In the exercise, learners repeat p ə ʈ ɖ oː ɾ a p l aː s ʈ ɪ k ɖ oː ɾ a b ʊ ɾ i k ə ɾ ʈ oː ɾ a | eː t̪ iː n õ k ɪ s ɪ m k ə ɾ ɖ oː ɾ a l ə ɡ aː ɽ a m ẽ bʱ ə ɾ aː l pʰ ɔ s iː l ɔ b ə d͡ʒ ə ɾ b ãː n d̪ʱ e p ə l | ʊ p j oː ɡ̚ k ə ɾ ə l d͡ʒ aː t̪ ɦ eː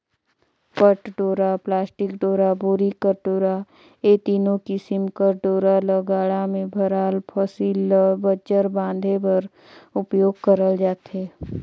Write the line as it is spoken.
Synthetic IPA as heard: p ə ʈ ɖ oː ɾ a p l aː s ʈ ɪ k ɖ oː ɾ a b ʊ ɾ i k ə ɾ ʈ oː ɾ a | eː t̪ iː n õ k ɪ s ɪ m k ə ɾ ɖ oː ɾ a l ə ɡ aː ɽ a m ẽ bʱ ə ɾ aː l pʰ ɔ s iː l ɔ b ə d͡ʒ ə ɾ b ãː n d̪ʱ e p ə ɾ | ʊ p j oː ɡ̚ k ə ɾ ə l d͡ʒ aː t̪ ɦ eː